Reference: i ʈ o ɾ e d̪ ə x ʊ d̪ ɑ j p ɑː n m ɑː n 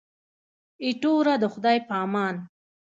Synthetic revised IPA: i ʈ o ɾ a d̪ ə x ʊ d̪ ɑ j p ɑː m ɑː n